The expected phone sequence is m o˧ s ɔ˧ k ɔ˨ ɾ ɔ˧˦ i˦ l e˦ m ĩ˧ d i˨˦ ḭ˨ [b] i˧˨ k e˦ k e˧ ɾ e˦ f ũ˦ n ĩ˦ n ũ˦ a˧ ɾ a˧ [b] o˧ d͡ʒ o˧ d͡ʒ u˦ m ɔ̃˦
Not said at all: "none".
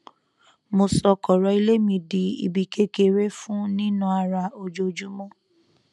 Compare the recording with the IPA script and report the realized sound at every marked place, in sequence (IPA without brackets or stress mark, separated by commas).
b, none